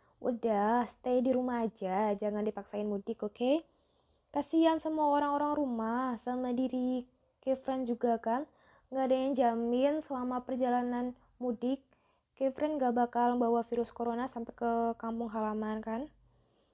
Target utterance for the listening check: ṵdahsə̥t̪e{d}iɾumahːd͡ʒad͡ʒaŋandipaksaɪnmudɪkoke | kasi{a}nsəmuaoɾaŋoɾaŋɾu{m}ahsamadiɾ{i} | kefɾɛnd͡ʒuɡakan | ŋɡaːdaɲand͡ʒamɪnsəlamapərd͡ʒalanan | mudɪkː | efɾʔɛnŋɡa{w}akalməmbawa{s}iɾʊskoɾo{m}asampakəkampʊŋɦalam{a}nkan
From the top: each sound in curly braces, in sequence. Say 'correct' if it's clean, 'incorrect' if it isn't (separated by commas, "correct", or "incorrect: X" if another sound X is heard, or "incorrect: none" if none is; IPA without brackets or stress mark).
correct, correct, correct, correct, incorrect: b, incorrect: f, incorrect: n, correct